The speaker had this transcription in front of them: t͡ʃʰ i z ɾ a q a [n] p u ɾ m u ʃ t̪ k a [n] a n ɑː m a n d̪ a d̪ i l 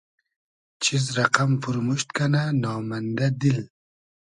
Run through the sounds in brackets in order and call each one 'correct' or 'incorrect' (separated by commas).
incorrect, correct